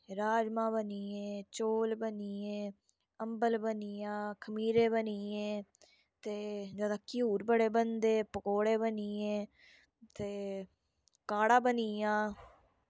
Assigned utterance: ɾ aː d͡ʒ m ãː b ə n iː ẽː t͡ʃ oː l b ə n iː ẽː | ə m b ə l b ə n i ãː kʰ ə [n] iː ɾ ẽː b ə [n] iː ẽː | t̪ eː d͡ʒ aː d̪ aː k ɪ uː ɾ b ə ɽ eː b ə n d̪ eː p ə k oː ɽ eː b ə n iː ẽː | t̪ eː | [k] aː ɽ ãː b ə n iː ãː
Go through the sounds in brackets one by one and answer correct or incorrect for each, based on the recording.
incorrect, correct, correct

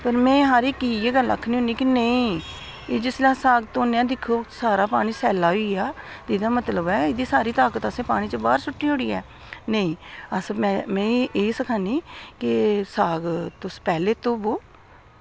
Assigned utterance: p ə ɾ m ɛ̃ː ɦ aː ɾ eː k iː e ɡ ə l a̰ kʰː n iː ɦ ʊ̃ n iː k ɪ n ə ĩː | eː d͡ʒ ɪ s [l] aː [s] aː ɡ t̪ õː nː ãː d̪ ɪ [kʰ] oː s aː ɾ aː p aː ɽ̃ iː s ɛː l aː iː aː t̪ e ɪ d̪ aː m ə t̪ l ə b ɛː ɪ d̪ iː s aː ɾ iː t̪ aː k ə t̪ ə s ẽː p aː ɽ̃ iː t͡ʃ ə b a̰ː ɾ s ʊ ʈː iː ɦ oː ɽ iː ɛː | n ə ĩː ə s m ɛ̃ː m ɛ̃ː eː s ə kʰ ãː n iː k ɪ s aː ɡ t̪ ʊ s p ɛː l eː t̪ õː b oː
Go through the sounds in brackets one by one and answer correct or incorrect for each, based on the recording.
correct, correct, correct

